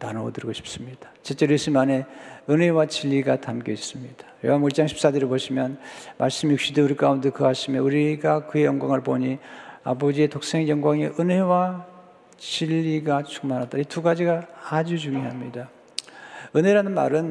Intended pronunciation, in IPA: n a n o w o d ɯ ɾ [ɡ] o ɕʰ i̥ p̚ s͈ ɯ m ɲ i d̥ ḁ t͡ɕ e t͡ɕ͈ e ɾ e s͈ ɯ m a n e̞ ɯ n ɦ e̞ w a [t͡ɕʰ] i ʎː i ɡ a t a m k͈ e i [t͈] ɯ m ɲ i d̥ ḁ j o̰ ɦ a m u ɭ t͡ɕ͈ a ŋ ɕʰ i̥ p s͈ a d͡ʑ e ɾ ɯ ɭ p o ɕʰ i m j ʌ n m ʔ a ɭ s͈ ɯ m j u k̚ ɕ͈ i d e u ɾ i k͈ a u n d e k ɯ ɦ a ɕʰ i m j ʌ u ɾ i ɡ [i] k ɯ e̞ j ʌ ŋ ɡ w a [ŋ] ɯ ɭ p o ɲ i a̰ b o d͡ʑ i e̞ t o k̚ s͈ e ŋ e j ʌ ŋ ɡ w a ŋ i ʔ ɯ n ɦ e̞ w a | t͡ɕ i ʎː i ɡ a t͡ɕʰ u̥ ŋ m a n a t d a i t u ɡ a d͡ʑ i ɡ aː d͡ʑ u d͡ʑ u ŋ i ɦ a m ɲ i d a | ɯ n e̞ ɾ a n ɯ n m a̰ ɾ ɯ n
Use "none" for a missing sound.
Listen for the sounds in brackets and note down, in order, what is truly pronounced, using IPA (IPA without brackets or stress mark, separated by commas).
ɡ, t͡ɕ, s͈, a, ŋ